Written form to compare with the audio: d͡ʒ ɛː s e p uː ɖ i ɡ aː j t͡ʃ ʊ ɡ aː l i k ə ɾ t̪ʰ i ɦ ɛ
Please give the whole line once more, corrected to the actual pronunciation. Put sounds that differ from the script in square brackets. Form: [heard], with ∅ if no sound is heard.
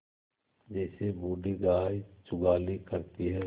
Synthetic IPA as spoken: d͡ʒ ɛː s e [b] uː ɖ i ɡ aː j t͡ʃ ʊ ɡ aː l i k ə ɾ [t̪] i ɦ ɛ